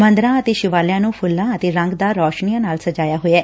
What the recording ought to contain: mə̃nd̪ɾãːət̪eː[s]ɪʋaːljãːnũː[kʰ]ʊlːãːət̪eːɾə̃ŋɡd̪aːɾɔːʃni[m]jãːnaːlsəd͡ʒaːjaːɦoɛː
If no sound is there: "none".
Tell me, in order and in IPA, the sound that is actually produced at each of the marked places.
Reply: ʃ, pʰ, none

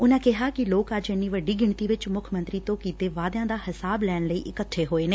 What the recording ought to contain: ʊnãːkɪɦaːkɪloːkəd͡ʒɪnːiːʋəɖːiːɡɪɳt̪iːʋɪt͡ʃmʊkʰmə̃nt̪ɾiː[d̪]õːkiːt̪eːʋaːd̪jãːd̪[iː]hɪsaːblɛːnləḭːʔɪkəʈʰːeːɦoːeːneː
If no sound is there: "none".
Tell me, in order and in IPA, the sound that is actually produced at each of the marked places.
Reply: t̪, aː

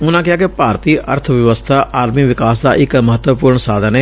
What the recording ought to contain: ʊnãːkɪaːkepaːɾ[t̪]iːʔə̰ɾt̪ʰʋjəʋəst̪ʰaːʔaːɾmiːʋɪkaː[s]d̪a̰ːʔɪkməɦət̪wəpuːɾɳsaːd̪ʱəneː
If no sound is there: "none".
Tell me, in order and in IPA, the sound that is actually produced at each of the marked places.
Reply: t̪, s

